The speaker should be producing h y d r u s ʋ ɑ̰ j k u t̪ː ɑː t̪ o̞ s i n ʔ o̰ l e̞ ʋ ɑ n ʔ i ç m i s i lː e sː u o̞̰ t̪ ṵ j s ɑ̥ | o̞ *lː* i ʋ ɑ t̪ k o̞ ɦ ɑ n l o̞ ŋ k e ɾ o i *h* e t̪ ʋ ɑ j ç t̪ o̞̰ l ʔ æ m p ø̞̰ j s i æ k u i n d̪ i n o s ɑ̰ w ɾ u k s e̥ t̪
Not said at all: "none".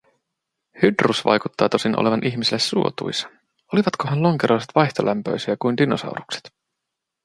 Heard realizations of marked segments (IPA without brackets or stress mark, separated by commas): l, s